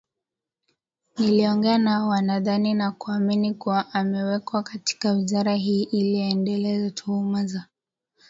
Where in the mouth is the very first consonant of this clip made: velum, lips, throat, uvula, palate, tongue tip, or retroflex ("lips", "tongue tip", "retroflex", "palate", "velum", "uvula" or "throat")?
tongue tip